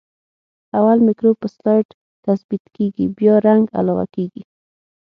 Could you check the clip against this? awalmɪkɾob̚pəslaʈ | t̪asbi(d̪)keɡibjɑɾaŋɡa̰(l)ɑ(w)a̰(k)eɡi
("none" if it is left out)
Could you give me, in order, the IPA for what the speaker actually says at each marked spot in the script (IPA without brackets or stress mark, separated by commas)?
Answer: t̪, l, w, k